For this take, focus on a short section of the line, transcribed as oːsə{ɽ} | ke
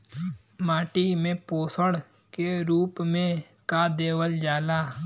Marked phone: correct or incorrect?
correct